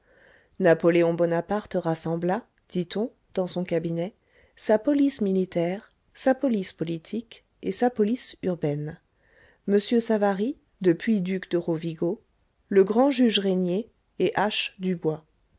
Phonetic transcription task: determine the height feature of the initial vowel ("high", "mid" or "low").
low